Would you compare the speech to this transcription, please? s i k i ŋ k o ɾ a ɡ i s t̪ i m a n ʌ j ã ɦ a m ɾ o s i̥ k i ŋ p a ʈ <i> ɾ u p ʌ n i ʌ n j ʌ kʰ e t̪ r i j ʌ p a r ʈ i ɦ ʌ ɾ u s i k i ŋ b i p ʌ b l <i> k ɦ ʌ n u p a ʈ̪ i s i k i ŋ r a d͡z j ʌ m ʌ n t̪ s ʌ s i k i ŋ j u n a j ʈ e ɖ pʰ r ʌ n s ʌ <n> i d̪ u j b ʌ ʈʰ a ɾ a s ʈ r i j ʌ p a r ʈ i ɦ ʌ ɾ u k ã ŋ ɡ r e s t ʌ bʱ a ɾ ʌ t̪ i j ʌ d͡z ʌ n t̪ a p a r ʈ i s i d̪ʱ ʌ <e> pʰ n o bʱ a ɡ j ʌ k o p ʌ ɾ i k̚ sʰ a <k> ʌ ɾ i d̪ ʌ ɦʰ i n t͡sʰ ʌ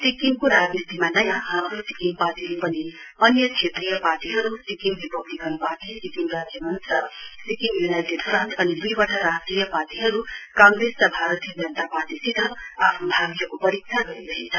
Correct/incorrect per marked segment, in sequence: correct, correct, correct, incorrect: a, incorrect: ɡ

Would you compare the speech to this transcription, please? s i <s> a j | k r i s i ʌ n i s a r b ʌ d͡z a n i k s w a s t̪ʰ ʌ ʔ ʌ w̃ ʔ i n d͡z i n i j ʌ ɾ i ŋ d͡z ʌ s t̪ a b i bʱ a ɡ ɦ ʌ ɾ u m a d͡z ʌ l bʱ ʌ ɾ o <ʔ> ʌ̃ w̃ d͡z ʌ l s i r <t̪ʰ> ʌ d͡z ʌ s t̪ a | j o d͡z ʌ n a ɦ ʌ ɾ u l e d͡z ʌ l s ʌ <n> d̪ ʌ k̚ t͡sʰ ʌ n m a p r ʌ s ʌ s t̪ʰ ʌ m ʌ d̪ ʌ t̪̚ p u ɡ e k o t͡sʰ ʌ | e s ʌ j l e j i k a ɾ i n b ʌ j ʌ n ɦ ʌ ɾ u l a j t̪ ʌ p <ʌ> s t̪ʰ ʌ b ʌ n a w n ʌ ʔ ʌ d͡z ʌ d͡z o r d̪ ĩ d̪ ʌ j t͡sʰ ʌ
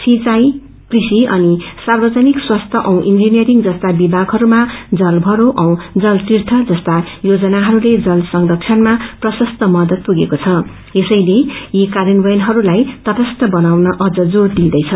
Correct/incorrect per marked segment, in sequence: incorrect: t͡s, correct, correct, incorrect: ŋ, correct

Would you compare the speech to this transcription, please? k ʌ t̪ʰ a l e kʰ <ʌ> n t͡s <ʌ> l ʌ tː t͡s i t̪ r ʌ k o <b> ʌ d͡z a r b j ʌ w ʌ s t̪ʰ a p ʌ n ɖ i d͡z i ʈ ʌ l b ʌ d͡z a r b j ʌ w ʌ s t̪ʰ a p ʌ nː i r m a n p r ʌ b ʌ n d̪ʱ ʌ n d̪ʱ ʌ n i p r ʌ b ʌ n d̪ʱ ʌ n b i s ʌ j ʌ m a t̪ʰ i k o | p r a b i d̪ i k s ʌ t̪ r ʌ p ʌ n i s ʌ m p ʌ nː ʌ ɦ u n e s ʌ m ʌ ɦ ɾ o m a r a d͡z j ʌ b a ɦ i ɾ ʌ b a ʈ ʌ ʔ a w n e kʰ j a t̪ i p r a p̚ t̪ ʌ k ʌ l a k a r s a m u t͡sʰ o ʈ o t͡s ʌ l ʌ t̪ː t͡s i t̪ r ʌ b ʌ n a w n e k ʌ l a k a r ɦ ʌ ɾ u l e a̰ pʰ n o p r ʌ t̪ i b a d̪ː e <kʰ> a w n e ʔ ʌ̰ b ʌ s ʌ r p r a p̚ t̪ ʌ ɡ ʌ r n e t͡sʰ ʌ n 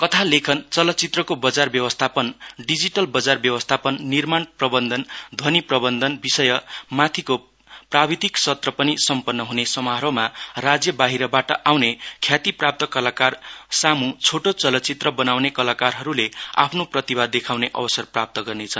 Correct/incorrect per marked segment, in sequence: correct, correct, correct, correct

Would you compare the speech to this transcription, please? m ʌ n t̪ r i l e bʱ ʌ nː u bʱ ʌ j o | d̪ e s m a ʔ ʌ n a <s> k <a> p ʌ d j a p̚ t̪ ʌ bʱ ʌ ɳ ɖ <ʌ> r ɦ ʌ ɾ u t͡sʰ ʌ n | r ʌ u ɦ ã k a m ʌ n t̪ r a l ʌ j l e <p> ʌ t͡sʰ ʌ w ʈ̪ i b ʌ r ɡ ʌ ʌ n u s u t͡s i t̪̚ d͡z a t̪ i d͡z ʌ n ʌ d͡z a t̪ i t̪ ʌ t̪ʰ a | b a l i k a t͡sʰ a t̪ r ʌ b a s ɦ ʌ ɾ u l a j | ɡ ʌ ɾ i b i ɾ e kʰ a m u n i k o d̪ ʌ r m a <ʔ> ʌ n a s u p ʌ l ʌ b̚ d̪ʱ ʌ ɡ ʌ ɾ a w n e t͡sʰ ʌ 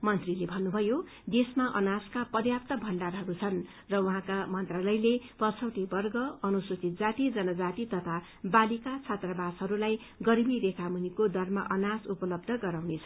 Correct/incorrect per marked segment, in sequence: correct, correct, incorrect: a, correct, correct

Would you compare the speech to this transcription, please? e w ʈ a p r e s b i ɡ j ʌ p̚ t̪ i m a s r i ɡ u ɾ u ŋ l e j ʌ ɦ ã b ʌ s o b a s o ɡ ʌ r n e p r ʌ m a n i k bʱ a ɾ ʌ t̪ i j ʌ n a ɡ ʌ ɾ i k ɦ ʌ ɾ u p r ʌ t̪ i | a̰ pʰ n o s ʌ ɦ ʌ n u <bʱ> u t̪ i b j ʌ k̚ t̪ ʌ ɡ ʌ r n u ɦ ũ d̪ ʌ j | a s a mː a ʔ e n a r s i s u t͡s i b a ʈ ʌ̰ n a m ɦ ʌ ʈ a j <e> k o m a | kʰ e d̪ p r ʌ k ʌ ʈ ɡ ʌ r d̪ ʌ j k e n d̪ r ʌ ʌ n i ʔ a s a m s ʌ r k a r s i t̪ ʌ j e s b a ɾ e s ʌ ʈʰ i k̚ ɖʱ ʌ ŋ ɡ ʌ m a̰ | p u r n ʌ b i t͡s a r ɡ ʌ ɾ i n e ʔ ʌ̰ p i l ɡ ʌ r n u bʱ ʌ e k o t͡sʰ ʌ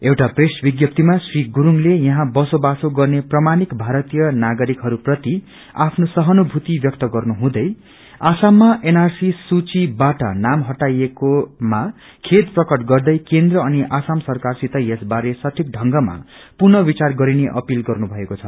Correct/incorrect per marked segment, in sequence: correct, correct

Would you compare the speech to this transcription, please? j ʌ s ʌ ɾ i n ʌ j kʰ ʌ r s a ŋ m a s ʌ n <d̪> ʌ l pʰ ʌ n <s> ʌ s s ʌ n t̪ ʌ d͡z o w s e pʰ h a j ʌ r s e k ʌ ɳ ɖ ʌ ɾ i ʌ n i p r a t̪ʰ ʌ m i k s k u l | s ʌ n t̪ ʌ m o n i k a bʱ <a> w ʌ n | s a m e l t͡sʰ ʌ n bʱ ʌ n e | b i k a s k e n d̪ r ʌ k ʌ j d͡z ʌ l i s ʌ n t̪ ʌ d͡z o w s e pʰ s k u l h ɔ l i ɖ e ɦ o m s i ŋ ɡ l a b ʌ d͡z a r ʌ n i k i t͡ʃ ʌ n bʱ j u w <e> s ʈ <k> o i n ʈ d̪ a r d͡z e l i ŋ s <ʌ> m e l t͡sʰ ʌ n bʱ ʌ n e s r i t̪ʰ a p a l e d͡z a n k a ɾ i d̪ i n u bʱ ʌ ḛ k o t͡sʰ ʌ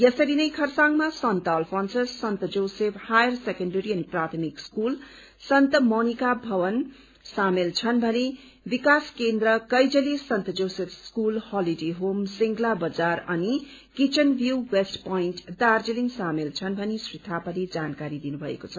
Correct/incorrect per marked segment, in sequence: incorrect: t̪, correct, incorrect: ʌ, correct, incorrect: p, incorrect: a

